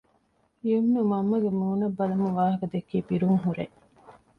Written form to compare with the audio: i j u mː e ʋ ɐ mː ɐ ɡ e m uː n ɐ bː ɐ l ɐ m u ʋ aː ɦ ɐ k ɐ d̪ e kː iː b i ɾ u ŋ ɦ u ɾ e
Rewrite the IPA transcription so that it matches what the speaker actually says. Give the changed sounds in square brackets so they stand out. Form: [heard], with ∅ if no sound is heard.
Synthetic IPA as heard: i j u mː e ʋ ɐ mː ɐ ɡ e m uː n ɐ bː ɐ l ɐ m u ʋ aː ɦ ɐ k ɐ d̪ e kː iː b i ɾ u ŋ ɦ u ɾ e